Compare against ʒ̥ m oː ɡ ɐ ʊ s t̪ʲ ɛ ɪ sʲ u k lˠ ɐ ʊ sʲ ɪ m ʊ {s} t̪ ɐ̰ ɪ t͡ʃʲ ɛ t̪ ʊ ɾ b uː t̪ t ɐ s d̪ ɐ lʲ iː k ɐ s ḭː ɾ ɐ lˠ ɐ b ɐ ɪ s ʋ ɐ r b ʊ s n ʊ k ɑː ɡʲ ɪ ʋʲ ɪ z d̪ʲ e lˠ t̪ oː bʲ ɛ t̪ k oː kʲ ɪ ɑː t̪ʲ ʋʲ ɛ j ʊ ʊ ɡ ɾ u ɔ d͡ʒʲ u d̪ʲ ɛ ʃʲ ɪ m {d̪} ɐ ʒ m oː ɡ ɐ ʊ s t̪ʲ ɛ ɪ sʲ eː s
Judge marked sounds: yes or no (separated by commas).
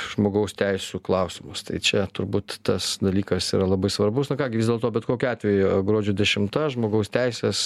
yes, no